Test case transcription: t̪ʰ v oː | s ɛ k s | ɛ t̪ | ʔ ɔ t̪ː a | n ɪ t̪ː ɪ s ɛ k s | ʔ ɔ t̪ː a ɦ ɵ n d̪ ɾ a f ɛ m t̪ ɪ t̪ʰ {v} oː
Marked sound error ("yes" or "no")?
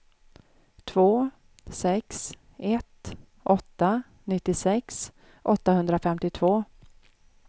no